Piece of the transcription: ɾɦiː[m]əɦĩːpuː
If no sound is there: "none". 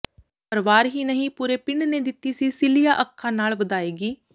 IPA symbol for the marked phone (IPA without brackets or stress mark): n